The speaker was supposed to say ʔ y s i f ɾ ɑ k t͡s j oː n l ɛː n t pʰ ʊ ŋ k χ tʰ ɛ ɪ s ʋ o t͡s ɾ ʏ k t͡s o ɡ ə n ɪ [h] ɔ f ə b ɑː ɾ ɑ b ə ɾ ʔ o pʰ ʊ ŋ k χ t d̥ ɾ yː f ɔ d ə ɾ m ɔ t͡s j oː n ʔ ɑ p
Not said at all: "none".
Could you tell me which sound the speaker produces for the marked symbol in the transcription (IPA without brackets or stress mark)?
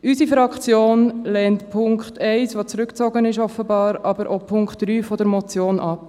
ʃ